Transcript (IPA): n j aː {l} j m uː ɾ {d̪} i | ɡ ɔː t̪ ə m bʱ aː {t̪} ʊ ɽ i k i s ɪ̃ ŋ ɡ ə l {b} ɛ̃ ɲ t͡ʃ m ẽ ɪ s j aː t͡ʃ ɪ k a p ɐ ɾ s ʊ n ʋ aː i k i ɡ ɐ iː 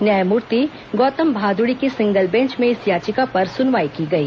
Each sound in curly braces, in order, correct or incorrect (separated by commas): incorrect, incorrect, incorrect, correct